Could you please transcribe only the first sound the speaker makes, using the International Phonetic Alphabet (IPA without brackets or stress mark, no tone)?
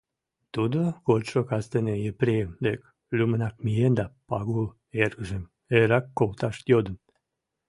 t̪